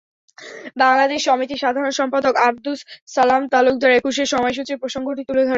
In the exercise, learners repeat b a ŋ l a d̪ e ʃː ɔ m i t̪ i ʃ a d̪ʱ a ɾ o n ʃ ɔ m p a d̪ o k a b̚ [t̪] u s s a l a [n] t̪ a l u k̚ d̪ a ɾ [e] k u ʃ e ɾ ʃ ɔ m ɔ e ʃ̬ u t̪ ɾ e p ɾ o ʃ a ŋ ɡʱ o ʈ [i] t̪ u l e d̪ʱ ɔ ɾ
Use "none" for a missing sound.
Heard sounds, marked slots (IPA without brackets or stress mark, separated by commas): d̪, m, e, i